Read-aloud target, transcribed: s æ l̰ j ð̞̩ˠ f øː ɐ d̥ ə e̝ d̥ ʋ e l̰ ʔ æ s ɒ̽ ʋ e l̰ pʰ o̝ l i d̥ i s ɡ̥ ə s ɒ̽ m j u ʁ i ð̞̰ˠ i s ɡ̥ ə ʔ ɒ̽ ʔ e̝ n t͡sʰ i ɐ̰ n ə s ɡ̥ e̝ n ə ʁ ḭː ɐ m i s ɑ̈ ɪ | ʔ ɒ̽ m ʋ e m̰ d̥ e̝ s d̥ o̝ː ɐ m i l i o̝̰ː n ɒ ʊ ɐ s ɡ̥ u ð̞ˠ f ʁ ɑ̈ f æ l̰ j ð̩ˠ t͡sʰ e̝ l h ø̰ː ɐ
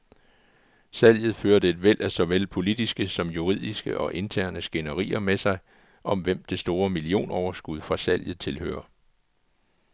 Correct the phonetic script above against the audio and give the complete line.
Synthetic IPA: s æ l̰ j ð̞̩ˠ f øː ɐ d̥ ə e̝ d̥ ʋ e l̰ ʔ æ s ɒ̽ ʋ e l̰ pʰ o̝ l i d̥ i s ɡ̥ ə s ɒ̽ m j u ʁ i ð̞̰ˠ i s ɡ̥ ə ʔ ɒ̽ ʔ e̝ n t͡sʰ æ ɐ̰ n ə s ɡ̥ e̝ n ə ʁ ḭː ɐ m e s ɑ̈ ɪ | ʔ ɒ̽ m ʋ e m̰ d̥ e̝ s d̥ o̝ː ɐ m i l i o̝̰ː n ɒ ʊ ɐ s ɡ̥ u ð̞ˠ f ʁ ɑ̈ s æ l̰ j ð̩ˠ t͡sʰ e̝ l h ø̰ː ɐ